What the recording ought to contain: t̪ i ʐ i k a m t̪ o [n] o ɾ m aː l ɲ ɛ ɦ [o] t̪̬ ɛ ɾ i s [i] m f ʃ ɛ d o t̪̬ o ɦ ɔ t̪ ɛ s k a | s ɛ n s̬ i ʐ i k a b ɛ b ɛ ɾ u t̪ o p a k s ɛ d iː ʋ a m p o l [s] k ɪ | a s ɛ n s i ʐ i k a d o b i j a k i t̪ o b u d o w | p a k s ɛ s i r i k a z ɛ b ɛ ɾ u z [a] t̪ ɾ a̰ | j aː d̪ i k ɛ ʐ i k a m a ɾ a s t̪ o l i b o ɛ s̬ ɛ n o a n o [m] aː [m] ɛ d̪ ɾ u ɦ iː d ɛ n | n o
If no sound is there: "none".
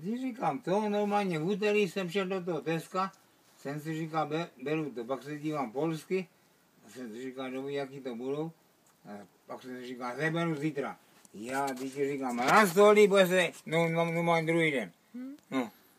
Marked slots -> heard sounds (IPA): n, u, ɛ, s, i, m, ɲ

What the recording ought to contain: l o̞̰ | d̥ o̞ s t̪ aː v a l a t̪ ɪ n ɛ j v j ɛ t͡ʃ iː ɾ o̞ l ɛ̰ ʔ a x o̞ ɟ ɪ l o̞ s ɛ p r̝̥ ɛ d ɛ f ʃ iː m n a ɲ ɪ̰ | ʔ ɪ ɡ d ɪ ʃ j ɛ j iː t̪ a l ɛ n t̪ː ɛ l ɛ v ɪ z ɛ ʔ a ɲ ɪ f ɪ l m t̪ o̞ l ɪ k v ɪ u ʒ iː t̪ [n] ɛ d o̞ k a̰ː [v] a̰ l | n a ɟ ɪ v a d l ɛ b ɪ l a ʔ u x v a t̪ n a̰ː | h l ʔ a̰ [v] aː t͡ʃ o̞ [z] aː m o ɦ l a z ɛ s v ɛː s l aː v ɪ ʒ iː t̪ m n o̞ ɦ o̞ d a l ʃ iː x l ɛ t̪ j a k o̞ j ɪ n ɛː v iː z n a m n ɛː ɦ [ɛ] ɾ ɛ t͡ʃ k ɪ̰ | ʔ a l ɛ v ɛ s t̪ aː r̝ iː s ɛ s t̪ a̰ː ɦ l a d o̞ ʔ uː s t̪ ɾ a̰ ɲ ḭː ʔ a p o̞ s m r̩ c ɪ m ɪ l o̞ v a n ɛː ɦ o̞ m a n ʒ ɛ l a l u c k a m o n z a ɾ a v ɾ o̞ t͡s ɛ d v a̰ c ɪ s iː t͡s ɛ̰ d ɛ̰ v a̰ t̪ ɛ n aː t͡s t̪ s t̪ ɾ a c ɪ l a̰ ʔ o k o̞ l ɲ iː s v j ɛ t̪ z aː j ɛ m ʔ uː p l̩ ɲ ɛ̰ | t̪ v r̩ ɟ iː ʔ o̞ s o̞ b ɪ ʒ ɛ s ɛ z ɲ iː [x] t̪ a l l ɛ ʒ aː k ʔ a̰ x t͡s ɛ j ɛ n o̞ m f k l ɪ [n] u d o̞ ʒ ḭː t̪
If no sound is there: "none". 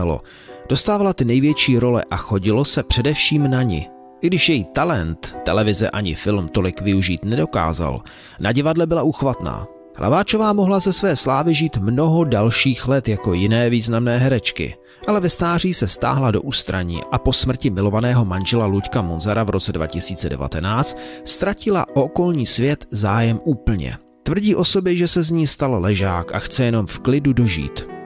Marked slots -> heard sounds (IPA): n, z, v, v, ɛ, s, d

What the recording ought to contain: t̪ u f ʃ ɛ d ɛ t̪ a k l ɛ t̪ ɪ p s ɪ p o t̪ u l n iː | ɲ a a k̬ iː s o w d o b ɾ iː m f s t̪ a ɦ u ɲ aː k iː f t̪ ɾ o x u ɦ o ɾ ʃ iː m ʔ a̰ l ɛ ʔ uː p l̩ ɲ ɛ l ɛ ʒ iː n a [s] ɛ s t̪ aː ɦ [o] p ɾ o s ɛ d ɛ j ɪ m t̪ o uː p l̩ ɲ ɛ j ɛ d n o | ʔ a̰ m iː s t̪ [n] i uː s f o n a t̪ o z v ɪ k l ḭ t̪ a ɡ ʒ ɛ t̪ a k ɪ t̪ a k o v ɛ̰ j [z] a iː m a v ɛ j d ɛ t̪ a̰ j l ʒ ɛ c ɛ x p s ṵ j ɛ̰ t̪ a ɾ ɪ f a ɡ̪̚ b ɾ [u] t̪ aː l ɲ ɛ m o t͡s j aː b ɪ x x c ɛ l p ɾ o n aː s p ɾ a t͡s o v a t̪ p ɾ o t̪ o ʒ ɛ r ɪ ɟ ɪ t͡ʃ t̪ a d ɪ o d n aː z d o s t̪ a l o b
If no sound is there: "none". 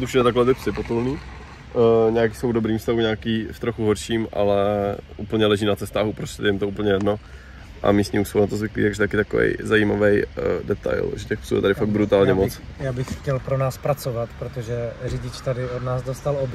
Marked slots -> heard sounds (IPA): t͡s, u, ɲ, z, u

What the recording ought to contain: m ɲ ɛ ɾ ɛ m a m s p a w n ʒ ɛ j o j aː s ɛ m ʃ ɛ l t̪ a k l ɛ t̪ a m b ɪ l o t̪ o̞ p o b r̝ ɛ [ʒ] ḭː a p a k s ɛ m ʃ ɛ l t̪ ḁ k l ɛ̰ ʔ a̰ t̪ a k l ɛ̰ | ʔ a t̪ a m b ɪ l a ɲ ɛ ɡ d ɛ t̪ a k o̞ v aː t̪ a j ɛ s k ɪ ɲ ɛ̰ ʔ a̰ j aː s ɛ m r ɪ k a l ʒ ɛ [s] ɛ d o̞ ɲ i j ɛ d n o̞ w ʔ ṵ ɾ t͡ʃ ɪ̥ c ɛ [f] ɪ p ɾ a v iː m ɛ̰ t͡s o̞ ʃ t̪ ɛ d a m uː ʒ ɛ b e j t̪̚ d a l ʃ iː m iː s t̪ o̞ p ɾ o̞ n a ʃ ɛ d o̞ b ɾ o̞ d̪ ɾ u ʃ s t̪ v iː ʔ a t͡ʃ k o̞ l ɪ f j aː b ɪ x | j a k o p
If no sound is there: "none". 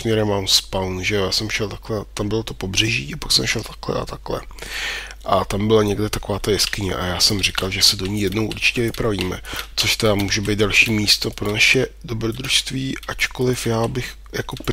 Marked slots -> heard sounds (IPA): ʒ, s, v

